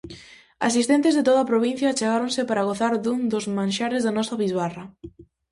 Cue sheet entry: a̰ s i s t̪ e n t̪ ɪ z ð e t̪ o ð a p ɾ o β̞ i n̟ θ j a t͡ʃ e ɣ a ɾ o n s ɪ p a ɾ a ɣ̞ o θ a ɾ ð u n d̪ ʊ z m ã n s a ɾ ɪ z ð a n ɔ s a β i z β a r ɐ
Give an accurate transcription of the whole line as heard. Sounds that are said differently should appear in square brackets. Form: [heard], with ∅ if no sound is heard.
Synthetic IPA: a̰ s i s t̪ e n t̪ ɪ z ð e t̪ o ð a p ɾ o β̞ i n̟ θ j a t͡ʃ e ɣ a ɾ o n s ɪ p a ɾ a ɣ̞ o θ a ɾ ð u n d̪ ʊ z m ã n [ʃ] a ɾ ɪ z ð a n ɔ s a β i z β a r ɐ